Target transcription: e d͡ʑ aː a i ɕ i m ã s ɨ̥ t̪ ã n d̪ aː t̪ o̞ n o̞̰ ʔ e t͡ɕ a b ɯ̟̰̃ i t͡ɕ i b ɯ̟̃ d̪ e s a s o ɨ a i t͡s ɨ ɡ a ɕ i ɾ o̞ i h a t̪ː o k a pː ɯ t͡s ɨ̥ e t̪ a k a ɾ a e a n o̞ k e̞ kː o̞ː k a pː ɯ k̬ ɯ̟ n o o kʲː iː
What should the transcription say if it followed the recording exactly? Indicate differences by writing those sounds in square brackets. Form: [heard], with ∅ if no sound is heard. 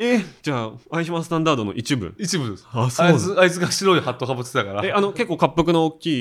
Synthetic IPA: e d͡ʑ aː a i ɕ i m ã s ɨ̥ t̪ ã n d̪ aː [d̪] o̞ n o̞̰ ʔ [i] t͡ɕ [i] b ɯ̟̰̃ i t͡ɕ i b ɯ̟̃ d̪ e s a s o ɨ a i t͡s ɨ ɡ a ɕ i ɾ o̞ i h a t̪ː o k a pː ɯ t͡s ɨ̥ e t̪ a k a ɾ a e a n o̞ k e̞ kː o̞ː k a pː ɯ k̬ ɯ̟ n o o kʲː iː